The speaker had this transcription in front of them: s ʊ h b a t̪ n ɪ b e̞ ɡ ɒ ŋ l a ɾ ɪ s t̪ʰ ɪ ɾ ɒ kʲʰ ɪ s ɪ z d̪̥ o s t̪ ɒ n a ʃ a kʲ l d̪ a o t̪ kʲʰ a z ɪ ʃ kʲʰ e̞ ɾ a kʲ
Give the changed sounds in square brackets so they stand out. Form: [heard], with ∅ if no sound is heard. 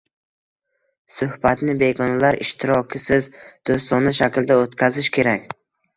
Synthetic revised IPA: s ʊ h b a t̪ n ɪ b e̞ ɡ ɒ [n] l a ɾ ɪ [ʃ] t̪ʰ ɪ ɾ ɒ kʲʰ ɪ s ɪ z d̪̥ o s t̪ ɒ n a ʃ a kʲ l d̪ a o t̪ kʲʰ a z ɪ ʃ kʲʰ e̞ ɾ a kʲ